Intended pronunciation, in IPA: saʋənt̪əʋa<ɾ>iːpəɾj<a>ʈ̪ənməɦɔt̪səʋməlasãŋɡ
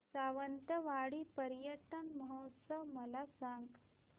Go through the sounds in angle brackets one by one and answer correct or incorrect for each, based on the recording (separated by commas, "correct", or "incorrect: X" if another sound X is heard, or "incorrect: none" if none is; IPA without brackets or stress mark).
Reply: incorrect: ɽ, incorrect: ə